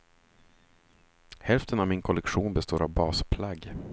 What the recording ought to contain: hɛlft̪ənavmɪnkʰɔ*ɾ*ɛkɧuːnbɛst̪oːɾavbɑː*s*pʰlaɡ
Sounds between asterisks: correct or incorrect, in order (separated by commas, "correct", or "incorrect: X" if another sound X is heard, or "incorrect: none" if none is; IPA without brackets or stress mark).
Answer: incorrect: l, correct